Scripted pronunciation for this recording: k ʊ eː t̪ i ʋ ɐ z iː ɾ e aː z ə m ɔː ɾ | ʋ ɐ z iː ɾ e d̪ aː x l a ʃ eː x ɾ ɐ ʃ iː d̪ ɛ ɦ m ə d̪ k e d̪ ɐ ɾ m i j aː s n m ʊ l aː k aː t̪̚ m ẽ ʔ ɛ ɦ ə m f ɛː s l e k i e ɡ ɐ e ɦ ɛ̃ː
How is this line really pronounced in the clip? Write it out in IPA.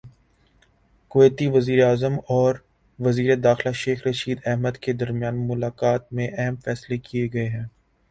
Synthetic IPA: k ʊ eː t̪ i ʋ ɐ z iː ɾ e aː z ə m ɔː ɾ | ʋ ɐ z iː ɾ e d̪ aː x l a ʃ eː x ɾ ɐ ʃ iː d̪ ɛ ɦ m ə d̪ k e d̪ ɐ ɾ m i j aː n m ʊ l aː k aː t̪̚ m ẽ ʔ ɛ ɦ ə m f ɛː s l e k i e ɡ ɐ e ɦ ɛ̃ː